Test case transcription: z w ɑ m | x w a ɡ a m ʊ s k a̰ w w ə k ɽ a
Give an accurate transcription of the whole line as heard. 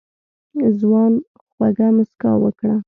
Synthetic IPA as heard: z w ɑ n | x w a ɡ a m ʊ s k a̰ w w ə k ɽ a